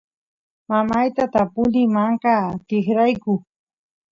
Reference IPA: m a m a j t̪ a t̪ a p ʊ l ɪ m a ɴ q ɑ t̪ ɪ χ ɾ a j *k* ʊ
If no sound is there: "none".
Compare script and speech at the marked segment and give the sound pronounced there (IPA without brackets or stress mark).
k